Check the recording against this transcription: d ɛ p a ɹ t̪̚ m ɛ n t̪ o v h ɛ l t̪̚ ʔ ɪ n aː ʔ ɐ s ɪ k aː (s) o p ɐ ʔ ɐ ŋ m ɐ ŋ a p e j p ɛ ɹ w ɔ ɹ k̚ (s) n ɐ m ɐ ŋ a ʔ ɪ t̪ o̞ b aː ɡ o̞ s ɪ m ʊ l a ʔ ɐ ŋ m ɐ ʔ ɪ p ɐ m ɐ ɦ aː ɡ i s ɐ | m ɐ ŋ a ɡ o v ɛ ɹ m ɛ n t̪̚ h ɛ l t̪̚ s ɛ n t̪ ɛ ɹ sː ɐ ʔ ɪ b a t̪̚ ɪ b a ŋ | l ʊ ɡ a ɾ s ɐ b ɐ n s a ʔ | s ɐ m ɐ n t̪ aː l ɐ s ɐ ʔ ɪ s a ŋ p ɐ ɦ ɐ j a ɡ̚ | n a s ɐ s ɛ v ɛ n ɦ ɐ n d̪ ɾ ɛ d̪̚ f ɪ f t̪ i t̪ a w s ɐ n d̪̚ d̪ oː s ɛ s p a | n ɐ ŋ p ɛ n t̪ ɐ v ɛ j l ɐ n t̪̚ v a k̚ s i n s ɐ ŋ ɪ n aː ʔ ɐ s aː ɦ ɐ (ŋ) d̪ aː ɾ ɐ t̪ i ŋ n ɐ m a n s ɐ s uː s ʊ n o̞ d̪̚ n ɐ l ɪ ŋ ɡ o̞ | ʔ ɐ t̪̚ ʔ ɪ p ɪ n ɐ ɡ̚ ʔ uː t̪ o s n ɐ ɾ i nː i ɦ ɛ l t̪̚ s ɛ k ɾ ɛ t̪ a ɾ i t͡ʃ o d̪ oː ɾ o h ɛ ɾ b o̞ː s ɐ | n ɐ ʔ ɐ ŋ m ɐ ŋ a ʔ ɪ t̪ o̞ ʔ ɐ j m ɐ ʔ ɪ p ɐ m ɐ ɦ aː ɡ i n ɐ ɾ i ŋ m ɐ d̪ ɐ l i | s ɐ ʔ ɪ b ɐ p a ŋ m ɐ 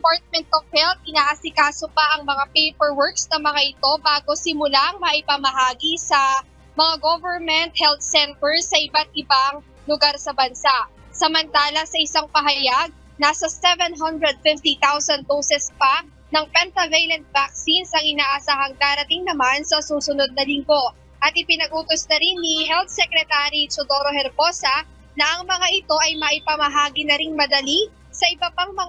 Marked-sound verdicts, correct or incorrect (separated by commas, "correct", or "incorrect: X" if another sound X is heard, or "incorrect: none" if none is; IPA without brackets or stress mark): correct, correct, correct